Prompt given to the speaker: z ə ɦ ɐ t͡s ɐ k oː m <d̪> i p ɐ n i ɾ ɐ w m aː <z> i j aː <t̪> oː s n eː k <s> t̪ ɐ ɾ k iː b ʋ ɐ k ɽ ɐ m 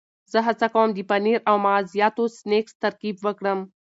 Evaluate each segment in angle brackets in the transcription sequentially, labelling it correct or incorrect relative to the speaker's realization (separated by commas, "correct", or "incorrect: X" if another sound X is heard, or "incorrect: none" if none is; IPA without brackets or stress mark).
correct, correct, correct, correct